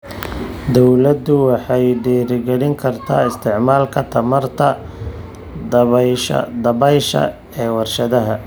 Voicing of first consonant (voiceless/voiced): voiced